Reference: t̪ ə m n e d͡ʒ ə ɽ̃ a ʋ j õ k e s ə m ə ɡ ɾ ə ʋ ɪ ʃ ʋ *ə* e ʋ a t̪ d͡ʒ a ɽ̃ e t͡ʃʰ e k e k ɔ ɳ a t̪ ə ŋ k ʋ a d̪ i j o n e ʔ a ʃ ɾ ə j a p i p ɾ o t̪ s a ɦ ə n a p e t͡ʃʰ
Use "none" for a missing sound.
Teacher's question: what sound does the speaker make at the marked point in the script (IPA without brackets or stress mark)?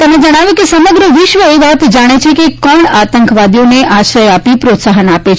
ə